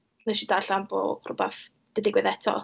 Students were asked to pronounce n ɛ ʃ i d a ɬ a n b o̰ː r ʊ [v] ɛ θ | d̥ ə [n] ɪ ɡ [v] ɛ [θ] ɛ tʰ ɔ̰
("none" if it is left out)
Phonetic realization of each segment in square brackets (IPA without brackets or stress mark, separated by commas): b, d, w, ð